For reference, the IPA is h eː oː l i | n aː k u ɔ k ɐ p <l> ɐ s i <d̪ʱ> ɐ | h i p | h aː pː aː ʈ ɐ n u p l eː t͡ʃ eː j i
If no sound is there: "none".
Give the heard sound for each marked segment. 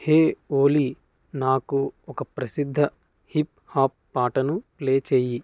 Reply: ɾ, d̪ʱː

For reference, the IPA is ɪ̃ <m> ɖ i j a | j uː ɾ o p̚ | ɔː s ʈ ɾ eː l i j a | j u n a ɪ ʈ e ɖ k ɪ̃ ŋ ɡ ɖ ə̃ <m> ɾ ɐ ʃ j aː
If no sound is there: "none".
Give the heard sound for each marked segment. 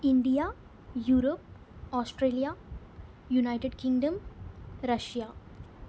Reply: ɳ, m

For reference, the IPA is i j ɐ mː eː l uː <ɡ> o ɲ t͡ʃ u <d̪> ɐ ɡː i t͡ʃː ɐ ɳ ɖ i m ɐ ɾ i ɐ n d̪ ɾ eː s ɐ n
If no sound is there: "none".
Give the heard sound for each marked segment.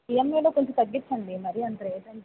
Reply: k, t̪

